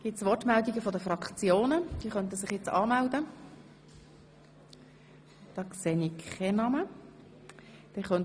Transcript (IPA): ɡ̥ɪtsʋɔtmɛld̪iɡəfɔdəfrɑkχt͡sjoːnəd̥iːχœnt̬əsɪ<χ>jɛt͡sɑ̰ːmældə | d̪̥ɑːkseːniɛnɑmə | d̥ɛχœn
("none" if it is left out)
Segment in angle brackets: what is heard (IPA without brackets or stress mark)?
χ